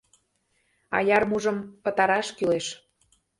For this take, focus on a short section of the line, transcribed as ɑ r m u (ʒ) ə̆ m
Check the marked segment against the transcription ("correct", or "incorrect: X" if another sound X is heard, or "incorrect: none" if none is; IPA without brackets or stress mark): correct